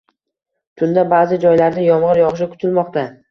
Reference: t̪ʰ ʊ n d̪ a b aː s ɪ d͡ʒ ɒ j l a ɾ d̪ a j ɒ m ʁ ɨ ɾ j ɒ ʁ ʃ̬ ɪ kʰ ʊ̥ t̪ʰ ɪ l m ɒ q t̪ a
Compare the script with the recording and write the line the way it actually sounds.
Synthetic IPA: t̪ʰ ʊ n d̪ a b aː z ɪ d͡ʒ ɒ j l a ɾ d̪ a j ɒ m ʁ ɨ ɾ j ɒ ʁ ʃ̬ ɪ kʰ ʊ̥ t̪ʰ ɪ l m ɒ q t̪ a